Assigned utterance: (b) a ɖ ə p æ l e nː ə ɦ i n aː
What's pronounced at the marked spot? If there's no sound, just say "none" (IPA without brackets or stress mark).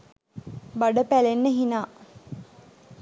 b